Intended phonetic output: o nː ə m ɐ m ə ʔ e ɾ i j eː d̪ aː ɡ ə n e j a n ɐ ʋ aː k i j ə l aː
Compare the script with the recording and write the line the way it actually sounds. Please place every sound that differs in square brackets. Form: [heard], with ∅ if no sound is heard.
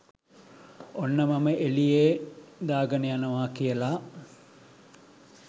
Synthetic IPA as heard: o nː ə m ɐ m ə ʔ e [l] i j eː d̪ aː ɡ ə n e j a n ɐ ʋ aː k i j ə l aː